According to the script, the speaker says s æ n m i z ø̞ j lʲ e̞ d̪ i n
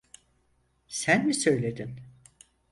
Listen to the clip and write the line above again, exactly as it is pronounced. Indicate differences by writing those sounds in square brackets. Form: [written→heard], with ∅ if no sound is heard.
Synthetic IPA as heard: s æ n m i [z→s] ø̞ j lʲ e̞ d̪ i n